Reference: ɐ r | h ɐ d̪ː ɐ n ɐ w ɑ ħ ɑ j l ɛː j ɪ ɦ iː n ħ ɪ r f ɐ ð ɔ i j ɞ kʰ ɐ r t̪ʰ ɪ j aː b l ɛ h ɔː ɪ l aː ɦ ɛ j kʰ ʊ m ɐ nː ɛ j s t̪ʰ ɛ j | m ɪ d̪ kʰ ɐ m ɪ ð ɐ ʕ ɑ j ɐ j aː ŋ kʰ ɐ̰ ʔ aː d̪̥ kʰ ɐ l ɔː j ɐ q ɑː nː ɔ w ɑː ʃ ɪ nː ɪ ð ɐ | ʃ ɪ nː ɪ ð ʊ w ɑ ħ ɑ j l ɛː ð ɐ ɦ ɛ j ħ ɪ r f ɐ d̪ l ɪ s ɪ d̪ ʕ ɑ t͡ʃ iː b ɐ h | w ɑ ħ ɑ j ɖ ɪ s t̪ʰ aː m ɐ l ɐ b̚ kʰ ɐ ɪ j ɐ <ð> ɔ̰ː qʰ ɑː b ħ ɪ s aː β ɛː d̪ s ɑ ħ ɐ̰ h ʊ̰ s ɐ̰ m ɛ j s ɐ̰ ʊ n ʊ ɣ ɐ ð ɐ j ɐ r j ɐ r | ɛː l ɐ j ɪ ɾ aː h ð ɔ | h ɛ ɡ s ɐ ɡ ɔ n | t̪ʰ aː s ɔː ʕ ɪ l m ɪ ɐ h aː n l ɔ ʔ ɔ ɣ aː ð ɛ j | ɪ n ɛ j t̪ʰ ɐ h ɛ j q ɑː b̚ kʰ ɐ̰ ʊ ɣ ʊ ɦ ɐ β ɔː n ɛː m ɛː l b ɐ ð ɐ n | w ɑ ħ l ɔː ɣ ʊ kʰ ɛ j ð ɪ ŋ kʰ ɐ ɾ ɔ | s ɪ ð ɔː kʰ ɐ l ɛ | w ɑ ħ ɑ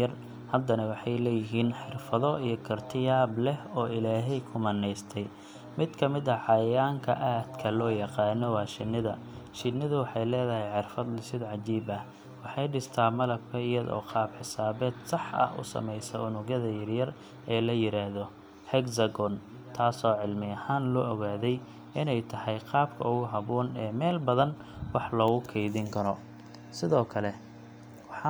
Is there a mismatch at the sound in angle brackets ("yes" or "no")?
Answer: no